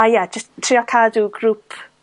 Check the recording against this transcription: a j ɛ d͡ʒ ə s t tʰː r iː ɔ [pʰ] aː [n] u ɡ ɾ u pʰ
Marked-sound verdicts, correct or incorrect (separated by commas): incorrect, incorrect